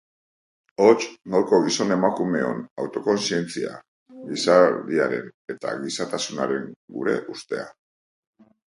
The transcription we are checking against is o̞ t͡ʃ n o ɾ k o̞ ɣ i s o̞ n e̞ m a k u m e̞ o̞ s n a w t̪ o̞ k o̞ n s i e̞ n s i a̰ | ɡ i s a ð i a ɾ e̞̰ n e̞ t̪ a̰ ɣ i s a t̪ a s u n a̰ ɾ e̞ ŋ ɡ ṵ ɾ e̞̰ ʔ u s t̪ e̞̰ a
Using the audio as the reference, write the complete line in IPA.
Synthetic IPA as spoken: o̞ t͡ʃ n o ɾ k o̞ ɣ i s o̞ n e̞ m a k u m e̞ o̞ n a w t̪ o̞ k o̞ n s i e̞ n t͡s i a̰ | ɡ i s a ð i a ɾ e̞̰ n e̞ t̪ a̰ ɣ i s a t̪ a s u n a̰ ɾ e̞ ŋ ɡ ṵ ɾ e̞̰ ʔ u s t̪ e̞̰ a

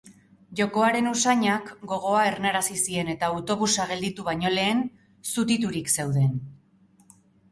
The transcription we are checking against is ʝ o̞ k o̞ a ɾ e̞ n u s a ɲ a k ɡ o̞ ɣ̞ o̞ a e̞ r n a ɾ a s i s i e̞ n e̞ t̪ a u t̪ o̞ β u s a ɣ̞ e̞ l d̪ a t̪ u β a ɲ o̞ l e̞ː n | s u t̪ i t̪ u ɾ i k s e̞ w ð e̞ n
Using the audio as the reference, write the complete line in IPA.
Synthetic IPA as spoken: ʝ o̞ k o̞ a ɾ e̞ n u s a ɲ a k ɡ o̞ ɣ̞ o̞ a e̞ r n a ɾ a s i s i e̞ n e̞ t̪ a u t̪ o̞ β u s a ɣ̞ e̞ l d̪ i t̪ u β a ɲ o̞ l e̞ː n | s u t̪ i t̪ u ɾ i k s e̞ w ð e̞ n

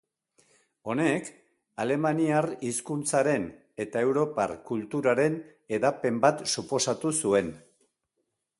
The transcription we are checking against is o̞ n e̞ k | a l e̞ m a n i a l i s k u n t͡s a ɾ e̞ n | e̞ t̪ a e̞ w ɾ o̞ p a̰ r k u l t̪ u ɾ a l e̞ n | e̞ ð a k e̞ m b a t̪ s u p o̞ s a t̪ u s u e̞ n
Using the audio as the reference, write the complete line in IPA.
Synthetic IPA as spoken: o̞ n e̞ k | a l e̞ m a n i a r i s k u n t͡s a ɾ e̞ n | e̞ t̪ a e̞ w ɾ o̞ p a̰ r k u l t̪ u ɾ a ɾ e̞ n | e̞ ð a p e̞ m b a t̪ s u p o̞ s a t̪ u s u e̞ n

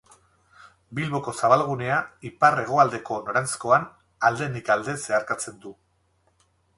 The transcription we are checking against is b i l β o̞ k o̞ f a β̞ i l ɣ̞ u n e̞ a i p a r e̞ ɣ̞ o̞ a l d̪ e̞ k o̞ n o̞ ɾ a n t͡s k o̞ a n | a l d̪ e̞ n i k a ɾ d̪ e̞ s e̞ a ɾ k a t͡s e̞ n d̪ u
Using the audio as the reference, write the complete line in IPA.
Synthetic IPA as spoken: b i l β o̞ k o̞ s a β̞ a l ɣ̞ u n e̞ a i p a r e̞ ɣ̞ o̞ a l d̪ e̞ k o̞ n o̞ ɾ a n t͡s k o̞ a n | a l d̪ e̞ n i k a l d̪ e̞ s e̞ a ɾ k a t͡s e̞ n d̪ u

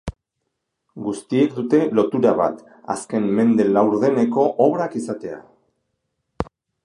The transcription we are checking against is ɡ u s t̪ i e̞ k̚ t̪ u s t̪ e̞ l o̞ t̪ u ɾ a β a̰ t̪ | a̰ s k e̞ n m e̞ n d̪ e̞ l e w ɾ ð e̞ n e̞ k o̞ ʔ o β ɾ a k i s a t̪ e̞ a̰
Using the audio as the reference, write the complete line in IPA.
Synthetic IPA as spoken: ɡ u s t̪ i e̞ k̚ d̪ u t̪ e̞ l o̞ t̪ u ɾ a β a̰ t̪ | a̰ s k e̞ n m e̞ n d̪ e̞ l a w ɾ ð e̞ n e̞ k o̞ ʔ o β ɾ a k i s a t̪ e̞ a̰

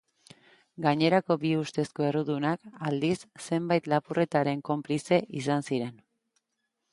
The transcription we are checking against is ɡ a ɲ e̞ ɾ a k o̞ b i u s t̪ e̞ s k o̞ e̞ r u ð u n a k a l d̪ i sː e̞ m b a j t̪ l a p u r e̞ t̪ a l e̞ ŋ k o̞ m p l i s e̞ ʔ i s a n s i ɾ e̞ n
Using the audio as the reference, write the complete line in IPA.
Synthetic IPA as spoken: ɡ a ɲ e̞ ɾ a k o̞ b i u s t̪ e̞ s k o̞ e̞ r u ð u n a k a l d̪ i sː e̞ m b a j t̪ l a p u r e̞ t̪ a ɾ e̞ ŋ k o̞ m p l i s e̞ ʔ i s a n s i ɾ e̞ n

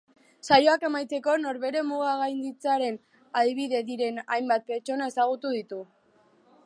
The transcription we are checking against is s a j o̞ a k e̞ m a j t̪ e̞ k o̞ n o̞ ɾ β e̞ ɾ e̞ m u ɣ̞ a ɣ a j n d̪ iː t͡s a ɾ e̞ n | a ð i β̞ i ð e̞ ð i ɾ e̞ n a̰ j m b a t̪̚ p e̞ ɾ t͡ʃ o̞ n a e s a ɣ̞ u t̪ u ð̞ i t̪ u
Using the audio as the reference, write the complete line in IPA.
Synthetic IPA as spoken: s a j o̞ a k e̞ m a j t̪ e̞ k o̞ n o̞ ɾ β e̞ ɾ e̞ m u ɣ̞ a ɣ a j n d̪ i t͡s a ɾ e̞ n | a ð i β̞ i ð e̞ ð i ɾ e̞ n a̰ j m b a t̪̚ p e̞ ɾ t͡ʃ o̞ n a e s a ɣ̞ u t̪ u ð̞ i t̪ u

